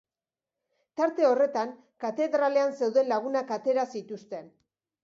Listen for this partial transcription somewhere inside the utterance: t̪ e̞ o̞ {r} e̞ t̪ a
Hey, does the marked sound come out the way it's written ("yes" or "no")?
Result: yes